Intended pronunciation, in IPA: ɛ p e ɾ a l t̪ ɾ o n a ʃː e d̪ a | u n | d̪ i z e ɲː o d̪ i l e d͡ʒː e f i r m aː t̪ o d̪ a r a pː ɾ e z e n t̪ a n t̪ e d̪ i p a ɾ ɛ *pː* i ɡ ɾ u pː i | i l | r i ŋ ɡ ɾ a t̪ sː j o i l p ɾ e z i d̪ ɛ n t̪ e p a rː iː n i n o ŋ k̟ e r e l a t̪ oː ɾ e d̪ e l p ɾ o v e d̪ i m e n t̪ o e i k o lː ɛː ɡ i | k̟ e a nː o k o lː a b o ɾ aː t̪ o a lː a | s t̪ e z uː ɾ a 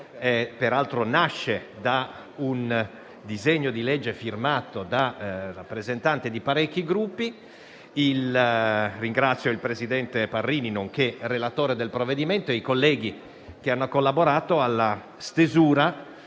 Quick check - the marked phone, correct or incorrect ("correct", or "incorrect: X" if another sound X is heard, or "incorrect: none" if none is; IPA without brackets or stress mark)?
incorrect: kː